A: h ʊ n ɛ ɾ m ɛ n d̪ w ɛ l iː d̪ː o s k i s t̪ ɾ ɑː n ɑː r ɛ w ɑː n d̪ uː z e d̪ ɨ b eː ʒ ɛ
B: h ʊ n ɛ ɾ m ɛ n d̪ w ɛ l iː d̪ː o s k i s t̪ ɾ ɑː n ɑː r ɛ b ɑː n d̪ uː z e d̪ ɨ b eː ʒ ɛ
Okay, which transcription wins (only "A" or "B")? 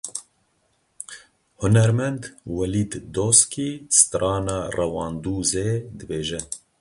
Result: A